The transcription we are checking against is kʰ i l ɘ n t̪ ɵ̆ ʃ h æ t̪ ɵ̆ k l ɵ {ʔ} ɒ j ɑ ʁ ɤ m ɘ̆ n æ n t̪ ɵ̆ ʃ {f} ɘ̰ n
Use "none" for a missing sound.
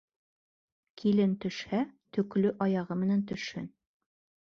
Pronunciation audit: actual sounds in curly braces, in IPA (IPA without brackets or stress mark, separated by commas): ʔ, h